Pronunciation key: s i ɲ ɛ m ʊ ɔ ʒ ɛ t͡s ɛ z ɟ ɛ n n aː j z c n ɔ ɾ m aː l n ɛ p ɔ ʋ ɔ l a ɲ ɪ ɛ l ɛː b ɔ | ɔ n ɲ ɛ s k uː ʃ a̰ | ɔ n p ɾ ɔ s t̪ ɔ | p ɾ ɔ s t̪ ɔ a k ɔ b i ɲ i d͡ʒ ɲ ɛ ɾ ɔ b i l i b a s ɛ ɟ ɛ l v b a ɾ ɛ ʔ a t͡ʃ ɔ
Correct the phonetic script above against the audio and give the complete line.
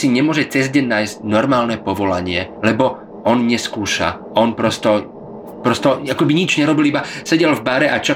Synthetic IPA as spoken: s i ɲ ɛ m ʊ ɔ ʒ ɛ t͡s ɛ z ɟ ɛ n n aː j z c n ɔ ɾ m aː l n ɛ p ɔ ʋ ɔ l a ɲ ɪ ɛ l ɛ b ɔ | ɔ n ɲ ɛ s k uː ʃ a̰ | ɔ n p ɾ ɔ s t̪ ɔ | p ɾ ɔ s t̪ ɔ a k ɔ b i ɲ i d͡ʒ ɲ ɛ ɾ ɔ b i l i b a s ɛ ɟ ɛ l v b a ɾ ɛ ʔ a t͡ʃ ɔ